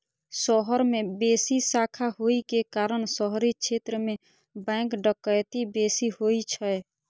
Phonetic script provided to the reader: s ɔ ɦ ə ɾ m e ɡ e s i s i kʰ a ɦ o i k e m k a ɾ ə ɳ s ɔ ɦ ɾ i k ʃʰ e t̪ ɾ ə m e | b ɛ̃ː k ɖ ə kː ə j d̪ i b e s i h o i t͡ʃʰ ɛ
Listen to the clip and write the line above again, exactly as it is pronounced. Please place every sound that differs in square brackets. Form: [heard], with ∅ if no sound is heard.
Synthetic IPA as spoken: s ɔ ɦ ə ɾ m e [b] e s i s [a] kʰ a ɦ o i k e [∅] k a ɾ ə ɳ s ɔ ɦ ɾ i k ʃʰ e t̪ ɾ ə m e | b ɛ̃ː k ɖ ə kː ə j [t̪] i b e s i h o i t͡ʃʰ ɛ